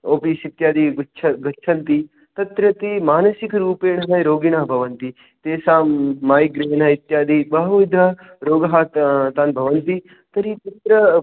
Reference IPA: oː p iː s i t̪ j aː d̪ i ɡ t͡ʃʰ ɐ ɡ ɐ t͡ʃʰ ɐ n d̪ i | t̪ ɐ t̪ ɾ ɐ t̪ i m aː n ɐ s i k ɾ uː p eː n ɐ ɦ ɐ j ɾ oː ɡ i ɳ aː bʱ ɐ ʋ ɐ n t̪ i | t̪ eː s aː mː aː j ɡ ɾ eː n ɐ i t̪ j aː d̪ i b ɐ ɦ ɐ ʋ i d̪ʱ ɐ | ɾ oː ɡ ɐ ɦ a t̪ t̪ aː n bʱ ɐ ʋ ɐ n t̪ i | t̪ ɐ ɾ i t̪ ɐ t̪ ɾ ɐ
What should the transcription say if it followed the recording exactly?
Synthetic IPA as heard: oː p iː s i t̪ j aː d̪ i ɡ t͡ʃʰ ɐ ɡ ɐ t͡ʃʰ ɐ n t̪ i | t̪ ɐ t̪ ɾ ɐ t̪ i m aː n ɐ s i k ɾ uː p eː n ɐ ɦ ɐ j ɾ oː ɡ i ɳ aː bʱ ɐ ʋ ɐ n t̪ i | t̪ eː s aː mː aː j ɡ ɾ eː n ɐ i t̪ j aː d̪ i b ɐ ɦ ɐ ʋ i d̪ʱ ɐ | ɾ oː ɡ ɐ ɦ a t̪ t̪ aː n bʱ ɐ ʋ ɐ n t̪ i | t̪ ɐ ɾ i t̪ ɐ t̪ ɾ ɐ